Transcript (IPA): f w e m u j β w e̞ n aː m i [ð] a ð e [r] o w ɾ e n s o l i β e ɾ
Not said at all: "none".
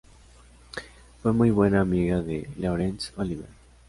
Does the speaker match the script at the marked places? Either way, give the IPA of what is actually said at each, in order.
ɣ, l

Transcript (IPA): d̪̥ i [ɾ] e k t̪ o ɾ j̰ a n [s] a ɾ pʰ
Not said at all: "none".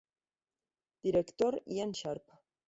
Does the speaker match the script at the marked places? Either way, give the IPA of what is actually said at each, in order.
ɾ, ʃ

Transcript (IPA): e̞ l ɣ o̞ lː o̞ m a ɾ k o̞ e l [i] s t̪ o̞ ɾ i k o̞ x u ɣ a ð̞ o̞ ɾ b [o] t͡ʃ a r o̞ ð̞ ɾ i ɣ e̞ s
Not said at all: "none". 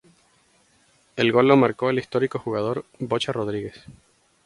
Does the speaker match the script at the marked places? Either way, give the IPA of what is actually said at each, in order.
i, o

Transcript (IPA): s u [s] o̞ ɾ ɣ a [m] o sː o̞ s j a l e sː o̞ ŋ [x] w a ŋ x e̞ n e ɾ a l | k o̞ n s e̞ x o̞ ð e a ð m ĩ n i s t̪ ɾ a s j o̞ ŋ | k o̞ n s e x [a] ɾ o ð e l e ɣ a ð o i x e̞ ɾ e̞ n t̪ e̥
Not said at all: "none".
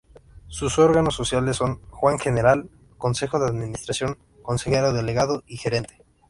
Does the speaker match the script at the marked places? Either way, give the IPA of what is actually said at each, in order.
s, n, x, e

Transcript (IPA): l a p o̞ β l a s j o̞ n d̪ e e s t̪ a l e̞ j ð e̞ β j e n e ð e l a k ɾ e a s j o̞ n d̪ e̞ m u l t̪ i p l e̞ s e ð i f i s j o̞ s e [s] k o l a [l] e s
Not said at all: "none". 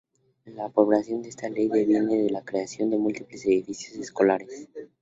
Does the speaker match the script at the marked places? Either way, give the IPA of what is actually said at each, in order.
s, ɾ

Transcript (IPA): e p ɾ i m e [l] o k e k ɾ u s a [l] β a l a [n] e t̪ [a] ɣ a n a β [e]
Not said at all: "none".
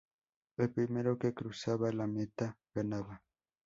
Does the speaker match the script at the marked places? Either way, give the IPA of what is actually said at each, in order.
ɾ, none, m, a, a

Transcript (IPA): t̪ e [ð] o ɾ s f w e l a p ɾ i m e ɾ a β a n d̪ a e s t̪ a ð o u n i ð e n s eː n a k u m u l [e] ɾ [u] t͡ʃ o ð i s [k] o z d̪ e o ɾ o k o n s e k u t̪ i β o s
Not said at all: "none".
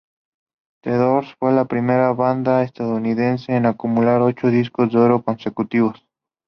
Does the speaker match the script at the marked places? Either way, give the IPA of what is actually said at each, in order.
ð, a, o, k

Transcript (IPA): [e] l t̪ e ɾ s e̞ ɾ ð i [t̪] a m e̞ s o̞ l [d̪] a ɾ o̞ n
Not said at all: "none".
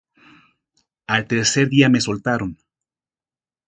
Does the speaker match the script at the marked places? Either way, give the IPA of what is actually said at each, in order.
a, none, t̪

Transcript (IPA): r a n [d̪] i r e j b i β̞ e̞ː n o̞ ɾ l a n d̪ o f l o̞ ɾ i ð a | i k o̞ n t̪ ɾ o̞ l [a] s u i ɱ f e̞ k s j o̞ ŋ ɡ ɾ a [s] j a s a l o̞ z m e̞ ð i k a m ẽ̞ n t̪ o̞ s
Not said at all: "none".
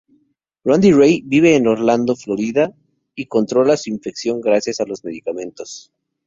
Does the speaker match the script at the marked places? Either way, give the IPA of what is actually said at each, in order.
d̪, a, s

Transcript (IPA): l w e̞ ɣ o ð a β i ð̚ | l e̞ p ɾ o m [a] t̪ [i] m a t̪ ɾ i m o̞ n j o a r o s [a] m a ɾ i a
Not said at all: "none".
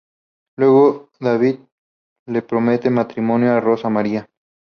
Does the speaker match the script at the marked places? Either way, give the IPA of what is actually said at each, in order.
e, e, a

